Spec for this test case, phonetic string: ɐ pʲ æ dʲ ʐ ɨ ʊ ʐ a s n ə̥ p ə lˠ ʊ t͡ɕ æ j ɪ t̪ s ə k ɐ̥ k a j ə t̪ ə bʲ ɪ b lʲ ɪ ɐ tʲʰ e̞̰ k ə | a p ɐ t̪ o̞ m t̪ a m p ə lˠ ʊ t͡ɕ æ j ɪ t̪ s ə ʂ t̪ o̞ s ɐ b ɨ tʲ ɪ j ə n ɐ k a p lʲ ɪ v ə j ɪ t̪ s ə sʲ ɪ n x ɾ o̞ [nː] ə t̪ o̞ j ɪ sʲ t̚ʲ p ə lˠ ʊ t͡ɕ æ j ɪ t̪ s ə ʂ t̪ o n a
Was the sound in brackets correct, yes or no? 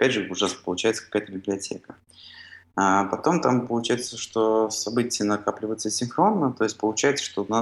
yes